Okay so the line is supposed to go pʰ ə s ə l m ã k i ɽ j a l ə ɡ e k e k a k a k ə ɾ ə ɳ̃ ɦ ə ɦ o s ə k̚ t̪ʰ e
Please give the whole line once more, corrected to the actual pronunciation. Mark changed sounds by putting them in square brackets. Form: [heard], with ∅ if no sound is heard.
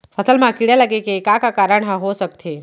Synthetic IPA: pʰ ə s ə l m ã k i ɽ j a l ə ɡ e k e k a k a k [a] ɾ ə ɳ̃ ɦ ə ɦ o s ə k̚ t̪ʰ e